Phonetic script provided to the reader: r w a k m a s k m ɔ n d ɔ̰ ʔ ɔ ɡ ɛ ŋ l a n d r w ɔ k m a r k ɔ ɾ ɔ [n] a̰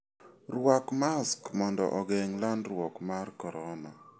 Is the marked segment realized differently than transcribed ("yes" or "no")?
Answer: no